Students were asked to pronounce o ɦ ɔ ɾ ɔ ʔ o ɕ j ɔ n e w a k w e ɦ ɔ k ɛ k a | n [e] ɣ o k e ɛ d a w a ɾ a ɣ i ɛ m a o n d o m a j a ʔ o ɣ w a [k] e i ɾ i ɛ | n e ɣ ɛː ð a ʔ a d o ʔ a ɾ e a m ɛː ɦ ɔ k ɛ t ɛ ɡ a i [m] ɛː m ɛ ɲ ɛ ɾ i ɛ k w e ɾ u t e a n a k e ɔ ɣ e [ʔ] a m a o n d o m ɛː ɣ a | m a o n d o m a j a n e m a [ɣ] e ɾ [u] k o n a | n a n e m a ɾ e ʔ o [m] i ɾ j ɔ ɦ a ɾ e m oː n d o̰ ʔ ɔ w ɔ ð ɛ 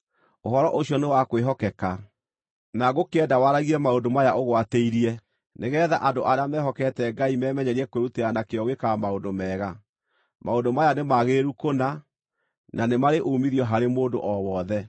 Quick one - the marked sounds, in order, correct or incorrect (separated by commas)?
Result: incorrect, incorrect, correct, incorrect, correct, correct, correct